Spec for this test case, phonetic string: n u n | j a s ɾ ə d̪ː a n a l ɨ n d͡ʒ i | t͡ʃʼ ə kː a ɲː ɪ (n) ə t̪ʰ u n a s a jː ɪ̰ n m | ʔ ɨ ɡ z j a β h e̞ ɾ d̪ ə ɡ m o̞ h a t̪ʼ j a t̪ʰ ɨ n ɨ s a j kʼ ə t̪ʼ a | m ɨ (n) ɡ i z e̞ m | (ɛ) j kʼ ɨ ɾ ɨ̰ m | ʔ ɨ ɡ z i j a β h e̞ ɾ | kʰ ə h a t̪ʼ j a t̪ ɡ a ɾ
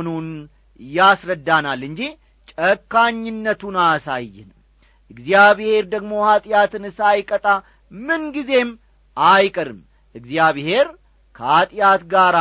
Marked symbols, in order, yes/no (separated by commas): no, yes, no